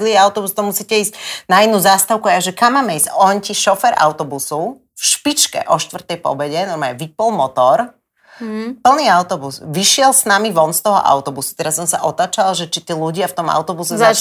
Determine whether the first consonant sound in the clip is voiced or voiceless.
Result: voiced